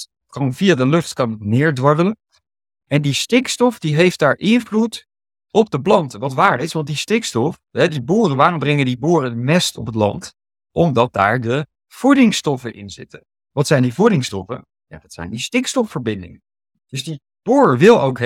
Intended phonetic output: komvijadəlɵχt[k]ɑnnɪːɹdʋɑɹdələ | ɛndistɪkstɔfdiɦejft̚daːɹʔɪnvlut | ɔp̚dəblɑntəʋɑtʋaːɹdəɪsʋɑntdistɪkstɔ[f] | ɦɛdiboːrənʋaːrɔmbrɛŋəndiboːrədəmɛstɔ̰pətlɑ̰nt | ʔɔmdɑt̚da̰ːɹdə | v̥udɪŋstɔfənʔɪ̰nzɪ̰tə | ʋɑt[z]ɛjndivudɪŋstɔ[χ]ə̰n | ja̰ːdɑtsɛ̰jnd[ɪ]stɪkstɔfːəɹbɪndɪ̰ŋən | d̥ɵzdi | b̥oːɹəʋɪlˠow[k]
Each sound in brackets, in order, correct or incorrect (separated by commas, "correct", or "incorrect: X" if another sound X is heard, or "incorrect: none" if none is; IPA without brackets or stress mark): correct, correct, incorrect: s, incorrect: f, incorrect: i, correct